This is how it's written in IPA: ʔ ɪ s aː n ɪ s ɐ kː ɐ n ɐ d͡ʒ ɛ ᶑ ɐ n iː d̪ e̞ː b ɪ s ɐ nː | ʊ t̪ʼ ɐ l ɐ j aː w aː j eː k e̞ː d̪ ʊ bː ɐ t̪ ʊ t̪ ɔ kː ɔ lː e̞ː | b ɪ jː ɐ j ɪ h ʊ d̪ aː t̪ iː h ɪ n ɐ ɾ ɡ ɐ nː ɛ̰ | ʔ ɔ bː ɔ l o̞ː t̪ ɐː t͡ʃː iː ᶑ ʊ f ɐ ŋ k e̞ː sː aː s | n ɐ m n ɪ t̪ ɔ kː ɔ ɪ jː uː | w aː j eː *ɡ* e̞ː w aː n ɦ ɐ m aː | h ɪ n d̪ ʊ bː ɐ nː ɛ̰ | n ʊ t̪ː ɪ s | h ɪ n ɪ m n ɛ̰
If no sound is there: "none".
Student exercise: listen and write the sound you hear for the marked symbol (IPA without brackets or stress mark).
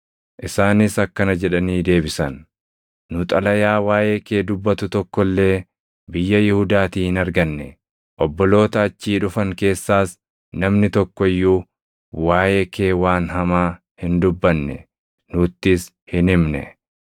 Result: k